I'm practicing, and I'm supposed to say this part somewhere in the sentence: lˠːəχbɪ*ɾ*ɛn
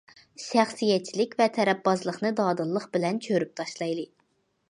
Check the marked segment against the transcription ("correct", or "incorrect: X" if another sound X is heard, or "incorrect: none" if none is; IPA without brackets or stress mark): incorrect: l